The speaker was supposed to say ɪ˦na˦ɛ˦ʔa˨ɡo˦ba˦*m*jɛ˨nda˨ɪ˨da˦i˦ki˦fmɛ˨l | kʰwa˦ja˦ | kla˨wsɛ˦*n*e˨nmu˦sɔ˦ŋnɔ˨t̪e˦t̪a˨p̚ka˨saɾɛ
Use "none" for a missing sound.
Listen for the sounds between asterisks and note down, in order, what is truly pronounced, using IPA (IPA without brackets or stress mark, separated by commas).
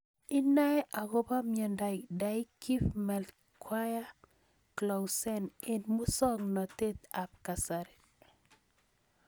m, n